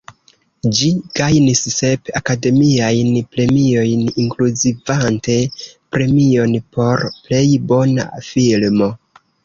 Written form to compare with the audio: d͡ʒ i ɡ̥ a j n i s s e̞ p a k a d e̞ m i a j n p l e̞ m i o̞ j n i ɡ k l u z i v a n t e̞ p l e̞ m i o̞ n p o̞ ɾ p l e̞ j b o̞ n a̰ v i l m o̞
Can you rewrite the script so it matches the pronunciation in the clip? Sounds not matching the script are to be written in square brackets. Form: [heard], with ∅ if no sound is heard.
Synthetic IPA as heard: d͡ʒ i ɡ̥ a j n i s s e̞ p a k a d e̞ m i a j n p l e̞ m i o̞ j n i [ŋ] k l u z i v a n t e̞ p [ɾ] e̞ m i o̞ n p o̞ ɾ p l e̞ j b o̞ n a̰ [f] i l m o̞